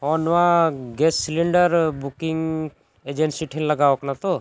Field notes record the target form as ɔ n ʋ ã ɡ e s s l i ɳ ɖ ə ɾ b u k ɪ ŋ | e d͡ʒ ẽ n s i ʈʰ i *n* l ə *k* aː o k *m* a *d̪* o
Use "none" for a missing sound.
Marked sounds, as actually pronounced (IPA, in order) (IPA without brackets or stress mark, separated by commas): n, ɡ, n, t̪